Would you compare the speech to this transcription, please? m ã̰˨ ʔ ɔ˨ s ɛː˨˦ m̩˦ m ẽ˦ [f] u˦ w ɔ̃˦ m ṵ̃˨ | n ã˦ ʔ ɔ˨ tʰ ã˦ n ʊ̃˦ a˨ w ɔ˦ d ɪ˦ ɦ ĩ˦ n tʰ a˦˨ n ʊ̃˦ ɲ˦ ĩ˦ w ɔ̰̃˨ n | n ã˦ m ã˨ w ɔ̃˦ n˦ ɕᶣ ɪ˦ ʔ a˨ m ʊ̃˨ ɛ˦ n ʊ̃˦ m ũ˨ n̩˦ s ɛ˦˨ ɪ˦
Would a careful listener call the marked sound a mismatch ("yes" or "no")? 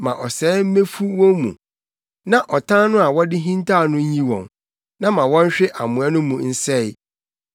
no